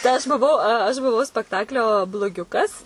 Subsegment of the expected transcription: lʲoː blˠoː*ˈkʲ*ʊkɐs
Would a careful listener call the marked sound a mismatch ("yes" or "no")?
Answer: yes